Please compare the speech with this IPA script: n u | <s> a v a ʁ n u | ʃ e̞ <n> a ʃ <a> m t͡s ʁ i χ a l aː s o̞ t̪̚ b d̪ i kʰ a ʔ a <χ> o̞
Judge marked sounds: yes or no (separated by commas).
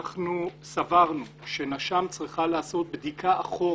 yes, yes, yes, yes